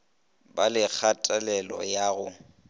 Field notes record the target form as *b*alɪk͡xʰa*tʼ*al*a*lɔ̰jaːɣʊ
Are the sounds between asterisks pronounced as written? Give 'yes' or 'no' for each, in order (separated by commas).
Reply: yes, yes, no